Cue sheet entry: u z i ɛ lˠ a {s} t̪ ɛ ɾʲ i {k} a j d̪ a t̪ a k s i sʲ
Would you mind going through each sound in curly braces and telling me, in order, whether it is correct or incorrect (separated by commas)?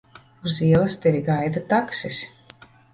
correct, incorrect